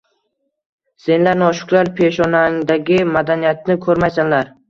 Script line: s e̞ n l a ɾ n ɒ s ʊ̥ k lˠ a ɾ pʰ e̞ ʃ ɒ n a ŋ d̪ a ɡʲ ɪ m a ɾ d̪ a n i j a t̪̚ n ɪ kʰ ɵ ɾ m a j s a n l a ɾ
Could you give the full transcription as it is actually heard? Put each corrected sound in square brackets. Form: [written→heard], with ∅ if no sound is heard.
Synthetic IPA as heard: s e̞ n l a ɾ n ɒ [s→ʃ] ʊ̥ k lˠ a ɾ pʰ e̞ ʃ ɒ n a ŋ d̪ a ɡʲ ɪ m a [ɾ→∅] d̪ a n i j a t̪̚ n ɪ kʰ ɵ ɾ m a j s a n l a ɾ

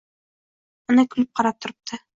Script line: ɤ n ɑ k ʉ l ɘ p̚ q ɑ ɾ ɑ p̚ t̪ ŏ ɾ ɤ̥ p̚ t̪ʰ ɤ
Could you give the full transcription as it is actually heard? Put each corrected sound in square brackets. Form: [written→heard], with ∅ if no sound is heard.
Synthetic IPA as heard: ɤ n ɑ k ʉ l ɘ p̚ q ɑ ɾ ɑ p̚ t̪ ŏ ɾ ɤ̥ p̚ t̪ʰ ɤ

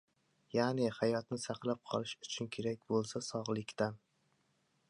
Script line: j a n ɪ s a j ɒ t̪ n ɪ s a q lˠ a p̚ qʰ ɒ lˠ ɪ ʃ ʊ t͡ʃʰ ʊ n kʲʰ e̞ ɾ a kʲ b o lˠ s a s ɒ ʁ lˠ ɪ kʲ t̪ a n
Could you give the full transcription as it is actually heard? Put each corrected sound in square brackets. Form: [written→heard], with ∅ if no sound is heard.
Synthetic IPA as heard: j a n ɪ [s→h] a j ɒ t̪ n ɪ s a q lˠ a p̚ qʰ ɒ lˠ ɪ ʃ ʊ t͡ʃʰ ʊ n kʲʰ e̞ ɾ a kʲ b o lˠ s a s ɒ ʁ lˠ ɪ kʲ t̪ a n

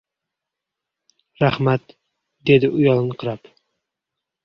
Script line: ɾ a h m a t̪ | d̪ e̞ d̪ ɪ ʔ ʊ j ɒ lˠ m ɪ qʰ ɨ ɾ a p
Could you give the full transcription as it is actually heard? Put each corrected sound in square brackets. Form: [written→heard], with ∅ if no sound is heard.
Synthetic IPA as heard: ɾ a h m a t̪ | d̪ e̞ d̪ ɪ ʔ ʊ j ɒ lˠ [m→n] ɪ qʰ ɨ ɾ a p

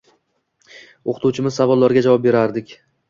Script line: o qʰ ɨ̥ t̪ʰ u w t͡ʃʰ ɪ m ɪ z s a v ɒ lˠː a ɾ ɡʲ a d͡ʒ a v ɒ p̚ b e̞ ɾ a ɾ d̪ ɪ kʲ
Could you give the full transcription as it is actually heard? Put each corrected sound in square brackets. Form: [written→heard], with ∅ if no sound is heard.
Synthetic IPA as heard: o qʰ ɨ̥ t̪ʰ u w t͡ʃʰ ɪ m ɪ z s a v ɒ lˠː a ɾ ɡʲ a d͡ʒ a v ɒ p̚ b e̞ ɾ a ɾ d̪ ɪ kʲ

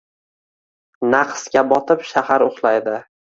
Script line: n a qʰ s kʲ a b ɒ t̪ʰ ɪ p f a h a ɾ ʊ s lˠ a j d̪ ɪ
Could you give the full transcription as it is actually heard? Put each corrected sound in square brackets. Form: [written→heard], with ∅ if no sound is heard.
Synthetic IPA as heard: n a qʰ s kʲ a b ɒ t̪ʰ ɪ p [f→ʃ] a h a ɾ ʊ [s→χ] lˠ a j d̪ ɪ

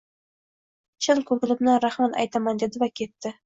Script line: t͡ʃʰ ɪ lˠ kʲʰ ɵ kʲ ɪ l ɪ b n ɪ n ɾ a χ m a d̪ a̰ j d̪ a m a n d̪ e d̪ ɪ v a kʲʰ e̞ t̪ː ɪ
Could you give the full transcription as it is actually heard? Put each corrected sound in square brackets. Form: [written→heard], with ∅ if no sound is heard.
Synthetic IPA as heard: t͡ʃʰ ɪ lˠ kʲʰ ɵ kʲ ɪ l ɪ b n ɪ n ɾ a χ m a [d̪→t̪] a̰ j [d̪→t̪] a m a n d̪ e d̪ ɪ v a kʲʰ e̞ t̪ː ɪ

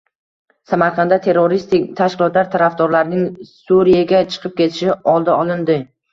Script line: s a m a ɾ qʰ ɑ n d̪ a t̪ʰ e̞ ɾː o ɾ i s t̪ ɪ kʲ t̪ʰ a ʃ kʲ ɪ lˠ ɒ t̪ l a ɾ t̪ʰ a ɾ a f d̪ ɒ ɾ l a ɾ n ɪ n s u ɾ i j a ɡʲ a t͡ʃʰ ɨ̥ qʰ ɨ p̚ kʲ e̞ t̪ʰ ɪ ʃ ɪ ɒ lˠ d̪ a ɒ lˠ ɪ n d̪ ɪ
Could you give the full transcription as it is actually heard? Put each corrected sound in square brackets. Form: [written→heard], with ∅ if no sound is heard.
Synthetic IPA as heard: s a m a ɾ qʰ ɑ n d̪ a t̪ʰ e̞ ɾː o ɾ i s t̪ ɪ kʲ t̪ʰ a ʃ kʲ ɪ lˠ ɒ t̪ l a ɾ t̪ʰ a ɾ a f d̪ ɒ ɾ l a ɾ n ɪ [n→ŋ] s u ɾ i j a ɡʲ a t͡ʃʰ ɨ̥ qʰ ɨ p̚ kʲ e̞ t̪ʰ ɪ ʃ ɪ ɒ lˠ d̪ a ɒ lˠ ɪ n d̪ ɪ

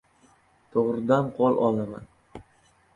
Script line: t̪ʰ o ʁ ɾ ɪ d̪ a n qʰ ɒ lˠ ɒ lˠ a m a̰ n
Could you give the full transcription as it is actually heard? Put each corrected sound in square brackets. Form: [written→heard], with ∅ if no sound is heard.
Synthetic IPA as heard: t̪ʰ o ʁ ɾ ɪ d̪ a n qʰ ɒ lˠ ɒ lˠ a m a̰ n

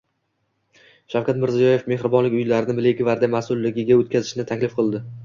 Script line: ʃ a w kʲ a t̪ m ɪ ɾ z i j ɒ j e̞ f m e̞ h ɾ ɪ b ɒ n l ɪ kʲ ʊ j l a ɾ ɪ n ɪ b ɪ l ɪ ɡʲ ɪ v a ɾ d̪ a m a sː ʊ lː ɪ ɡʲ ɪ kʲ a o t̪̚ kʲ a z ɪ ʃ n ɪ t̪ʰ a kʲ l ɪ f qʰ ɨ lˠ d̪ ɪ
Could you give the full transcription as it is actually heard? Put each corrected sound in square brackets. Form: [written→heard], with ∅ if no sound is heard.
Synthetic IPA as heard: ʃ a w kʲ a t̪ m ɪ ɾ z i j ɒ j e̞ f m e̞ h ɾ ɪ b ɒ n l ɪ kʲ ʊ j l a ɾ ɪ n ɪ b ɪ l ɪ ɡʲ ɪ v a ɾ d̪ a m a [sː→s] ʊ lː ɪ ɡʲ ɪ [kʲ→ɡʲ] a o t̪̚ kʲ a z ɪ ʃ n ɪ t̪ʰ a kʲ l ɪ f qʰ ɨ lˠ d̪ ɪ

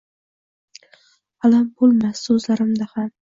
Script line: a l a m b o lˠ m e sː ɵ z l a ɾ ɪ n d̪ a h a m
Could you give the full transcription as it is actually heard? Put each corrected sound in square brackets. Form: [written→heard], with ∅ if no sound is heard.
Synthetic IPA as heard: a l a m b o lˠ m [e→a] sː ɵ z l a ɾ ɪ [n→m] d̪ a h a m

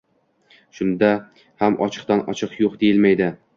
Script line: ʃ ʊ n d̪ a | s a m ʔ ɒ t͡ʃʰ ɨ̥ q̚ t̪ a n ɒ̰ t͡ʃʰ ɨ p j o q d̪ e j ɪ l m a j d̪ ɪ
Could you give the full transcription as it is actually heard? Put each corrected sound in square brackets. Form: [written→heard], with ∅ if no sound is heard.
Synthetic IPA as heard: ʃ ʊ n d̪ a | [s→h] a m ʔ ɒ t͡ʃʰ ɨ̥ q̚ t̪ a n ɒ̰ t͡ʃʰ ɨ [p→q] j o q d̪ e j ɪ l m a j d̪ ɪ

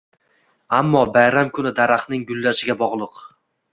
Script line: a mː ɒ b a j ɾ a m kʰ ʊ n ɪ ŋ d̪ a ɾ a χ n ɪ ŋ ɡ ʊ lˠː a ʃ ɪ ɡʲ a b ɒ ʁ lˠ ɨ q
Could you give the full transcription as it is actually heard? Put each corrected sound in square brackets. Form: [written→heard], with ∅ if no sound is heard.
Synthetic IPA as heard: a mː ɒ b a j ɾ a m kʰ ʊ n ɪ [ŋ→∅] d̪ a ɾ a χ n ɪ ŋ ɡ ʊ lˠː a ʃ ɪ ɡʲ a b ɒ ʁ lˠ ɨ q

